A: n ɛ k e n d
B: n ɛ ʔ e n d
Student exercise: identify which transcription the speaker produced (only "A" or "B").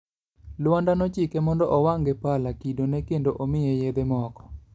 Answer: A